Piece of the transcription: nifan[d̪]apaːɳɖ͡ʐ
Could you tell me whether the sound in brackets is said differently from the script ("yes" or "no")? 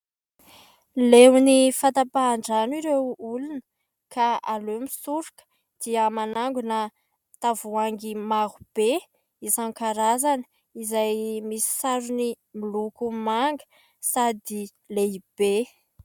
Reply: yes